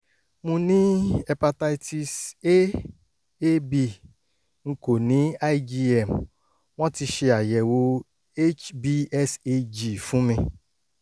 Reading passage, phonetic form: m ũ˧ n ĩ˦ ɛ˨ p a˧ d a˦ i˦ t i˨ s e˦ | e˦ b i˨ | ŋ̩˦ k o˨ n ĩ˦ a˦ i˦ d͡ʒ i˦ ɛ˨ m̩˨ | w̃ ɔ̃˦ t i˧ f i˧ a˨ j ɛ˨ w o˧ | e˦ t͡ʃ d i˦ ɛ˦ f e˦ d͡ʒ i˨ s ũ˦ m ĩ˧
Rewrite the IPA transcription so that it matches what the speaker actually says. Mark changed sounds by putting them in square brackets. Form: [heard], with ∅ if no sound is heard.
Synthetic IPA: m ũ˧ n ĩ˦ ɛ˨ p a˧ [t] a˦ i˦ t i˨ s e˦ | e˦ b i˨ | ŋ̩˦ k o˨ n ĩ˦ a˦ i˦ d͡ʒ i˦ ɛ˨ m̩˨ | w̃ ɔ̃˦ t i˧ [ʃ] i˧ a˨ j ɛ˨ w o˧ | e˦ t͡ʃ [b] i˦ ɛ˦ [s] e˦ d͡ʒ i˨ [f] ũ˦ m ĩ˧